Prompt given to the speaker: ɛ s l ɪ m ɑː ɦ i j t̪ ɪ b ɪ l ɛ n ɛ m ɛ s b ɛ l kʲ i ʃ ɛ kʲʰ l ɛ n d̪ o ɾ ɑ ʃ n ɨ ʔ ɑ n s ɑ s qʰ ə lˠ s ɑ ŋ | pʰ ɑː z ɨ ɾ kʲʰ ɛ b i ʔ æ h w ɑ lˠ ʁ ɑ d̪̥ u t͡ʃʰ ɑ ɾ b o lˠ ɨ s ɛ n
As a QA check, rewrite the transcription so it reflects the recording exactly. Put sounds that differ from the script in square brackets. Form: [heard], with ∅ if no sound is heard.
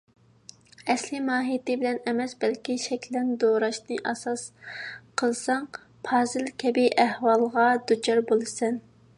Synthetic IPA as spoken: ɛ s l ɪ m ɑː ɦ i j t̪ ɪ b ɪ l ɛ n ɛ m ɛ s b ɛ l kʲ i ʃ ɛ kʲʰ l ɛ n d̪ o ɾ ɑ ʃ n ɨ ʔ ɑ [∅] s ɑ s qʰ ə lˠ s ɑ ŋ | pʰ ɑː z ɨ [l] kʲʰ ɛ b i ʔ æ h w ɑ lˠ ʁ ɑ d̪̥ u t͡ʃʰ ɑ ɾ b o lˠ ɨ s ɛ n